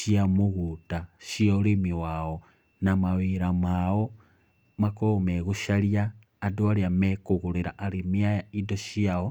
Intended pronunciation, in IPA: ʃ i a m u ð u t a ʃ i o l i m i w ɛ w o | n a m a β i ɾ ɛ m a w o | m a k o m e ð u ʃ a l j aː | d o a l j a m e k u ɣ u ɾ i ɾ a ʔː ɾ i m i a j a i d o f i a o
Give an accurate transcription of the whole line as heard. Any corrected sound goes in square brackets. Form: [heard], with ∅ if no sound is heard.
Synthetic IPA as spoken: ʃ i a m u [ɣ] u t a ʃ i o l i m i w [a] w o | n a m a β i ɾ [a] m a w o | m a k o m e [ɣ] u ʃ a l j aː | d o a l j a m e k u ɣ u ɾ i ɾ a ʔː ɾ i m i a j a i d o [ʃ] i a o